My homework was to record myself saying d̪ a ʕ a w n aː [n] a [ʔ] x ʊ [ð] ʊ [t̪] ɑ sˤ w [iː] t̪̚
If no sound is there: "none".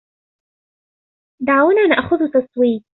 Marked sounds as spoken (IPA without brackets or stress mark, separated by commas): n, ʔ, ð, t̪, iː